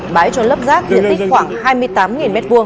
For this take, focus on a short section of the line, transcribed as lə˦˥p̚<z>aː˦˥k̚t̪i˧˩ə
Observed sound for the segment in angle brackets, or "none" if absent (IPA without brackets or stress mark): z